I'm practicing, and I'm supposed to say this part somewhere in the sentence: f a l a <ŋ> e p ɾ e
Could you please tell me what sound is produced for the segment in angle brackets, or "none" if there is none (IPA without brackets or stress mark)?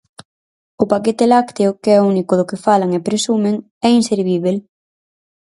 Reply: ŋ